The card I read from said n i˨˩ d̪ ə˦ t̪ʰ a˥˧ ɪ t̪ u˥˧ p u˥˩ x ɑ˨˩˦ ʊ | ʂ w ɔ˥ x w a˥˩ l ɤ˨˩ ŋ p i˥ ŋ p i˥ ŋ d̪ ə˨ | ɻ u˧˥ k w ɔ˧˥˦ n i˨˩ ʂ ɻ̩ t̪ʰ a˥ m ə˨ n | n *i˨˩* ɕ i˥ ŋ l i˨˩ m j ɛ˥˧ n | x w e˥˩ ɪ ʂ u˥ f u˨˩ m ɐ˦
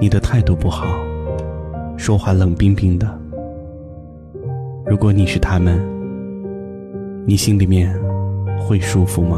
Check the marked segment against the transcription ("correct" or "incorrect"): correct